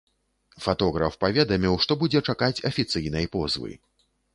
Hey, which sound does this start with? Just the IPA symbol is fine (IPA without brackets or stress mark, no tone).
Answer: f